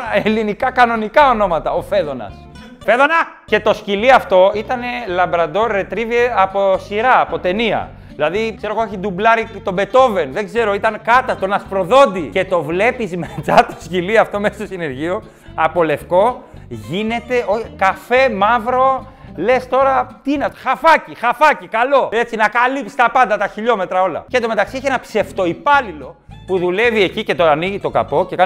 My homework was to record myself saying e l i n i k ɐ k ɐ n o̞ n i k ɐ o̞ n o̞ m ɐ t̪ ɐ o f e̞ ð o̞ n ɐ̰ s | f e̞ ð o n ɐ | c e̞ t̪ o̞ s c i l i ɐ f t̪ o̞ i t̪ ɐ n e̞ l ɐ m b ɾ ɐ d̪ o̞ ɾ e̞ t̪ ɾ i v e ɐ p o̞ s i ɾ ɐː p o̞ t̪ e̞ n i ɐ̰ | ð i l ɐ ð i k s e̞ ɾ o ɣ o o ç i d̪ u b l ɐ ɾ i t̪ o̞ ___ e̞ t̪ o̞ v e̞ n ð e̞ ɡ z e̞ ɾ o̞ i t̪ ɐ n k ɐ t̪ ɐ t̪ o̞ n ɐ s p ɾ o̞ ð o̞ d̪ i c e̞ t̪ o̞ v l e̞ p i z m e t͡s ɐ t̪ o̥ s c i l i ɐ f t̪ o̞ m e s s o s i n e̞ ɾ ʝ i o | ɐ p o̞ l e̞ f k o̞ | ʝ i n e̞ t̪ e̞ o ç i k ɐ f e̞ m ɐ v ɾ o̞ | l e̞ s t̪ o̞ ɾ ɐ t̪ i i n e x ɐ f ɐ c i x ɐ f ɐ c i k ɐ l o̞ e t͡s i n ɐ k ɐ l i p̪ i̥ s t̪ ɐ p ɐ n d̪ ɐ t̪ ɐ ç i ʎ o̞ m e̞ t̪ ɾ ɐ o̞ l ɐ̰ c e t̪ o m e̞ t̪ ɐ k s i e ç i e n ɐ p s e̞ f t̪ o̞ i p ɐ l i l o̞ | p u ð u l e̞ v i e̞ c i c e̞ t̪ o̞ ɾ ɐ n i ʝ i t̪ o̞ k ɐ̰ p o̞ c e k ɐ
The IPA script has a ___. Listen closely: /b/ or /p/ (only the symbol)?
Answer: b